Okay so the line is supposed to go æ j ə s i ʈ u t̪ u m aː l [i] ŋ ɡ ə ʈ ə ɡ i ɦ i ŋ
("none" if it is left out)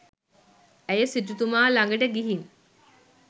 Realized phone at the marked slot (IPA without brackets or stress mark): a